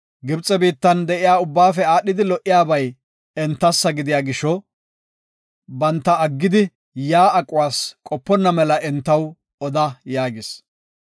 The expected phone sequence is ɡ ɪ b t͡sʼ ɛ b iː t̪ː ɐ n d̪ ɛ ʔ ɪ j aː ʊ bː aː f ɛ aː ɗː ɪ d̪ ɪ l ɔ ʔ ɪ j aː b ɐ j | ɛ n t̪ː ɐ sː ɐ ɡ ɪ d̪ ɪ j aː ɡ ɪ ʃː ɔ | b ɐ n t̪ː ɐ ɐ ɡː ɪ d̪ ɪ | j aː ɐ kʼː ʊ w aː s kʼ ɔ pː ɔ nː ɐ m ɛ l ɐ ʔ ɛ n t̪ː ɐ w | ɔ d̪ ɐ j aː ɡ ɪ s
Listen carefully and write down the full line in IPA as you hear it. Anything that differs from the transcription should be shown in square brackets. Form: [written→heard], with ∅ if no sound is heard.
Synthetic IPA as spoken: ɡ ɪ b t͡sʼ ɛ b iː t̪ː ɐ n d̪ ɛ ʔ ɪ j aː ʊ bː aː f ɛ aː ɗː ɪ d̪ ɪ l ɔ ʔ ɪ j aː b ɐ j | ɛ n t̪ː ɐ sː ɐ ɡ ɪ d̪ ɪ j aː ɡ ɪ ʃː ɔ | b ɐ n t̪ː ɐ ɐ ɡː ɪ d̪ ɪ | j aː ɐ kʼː ʊ w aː s kʼ ɔ pː ɔ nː ɐ m ɛ l ɐ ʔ ɛ n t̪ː ɐ w | ɔ d̪ ɐ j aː ɡ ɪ s